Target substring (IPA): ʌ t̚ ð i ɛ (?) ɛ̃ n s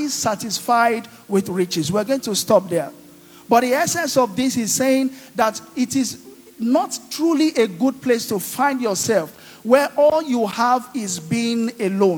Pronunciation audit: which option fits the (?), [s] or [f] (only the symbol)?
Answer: s